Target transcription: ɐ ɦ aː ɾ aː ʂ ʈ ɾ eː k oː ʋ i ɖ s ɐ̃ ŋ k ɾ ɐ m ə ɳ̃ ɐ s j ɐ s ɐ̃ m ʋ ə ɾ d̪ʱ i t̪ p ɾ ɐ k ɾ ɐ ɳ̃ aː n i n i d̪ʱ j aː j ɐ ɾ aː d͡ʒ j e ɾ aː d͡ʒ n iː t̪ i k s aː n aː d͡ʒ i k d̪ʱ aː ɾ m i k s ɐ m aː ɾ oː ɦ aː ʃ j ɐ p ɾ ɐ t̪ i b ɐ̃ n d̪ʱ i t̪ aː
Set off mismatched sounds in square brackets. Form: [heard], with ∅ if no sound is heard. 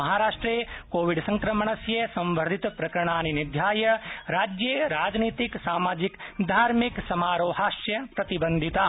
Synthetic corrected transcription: ɐ ɦ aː ɾ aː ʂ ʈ ɾ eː k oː ʋ i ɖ s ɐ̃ ŋ k ɾ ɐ m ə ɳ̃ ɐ s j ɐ s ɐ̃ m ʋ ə ɾ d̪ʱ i t̪ p ɾ ɐ k ɾ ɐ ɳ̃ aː n i n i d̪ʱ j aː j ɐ ɾ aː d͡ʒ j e ɾ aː d͡ʒ n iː t̪ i k s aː [m] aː d͡ʒ i k d̪ʱ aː ɾ m i k s ɐ m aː ɾ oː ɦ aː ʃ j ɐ p ɾ ɐ t̪ i b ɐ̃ n d̪ʱ i t̪ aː